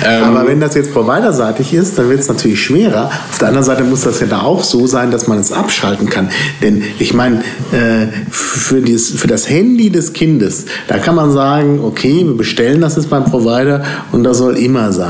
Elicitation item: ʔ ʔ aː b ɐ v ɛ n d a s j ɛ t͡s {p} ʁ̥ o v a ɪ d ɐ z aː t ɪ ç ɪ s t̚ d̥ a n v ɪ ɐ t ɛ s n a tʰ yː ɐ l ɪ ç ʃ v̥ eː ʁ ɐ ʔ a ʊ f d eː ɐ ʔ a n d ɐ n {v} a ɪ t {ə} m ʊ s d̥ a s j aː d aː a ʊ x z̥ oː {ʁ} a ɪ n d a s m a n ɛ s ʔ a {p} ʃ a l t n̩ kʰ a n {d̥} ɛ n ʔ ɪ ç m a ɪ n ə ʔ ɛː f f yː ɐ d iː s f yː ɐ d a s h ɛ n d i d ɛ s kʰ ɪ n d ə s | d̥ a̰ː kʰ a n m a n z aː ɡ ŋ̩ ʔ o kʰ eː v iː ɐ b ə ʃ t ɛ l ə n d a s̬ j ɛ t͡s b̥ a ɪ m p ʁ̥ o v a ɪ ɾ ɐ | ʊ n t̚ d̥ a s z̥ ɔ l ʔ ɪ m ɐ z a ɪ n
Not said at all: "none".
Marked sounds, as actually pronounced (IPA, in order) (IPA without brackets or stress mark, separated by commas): p, z, ə, z, p, d̥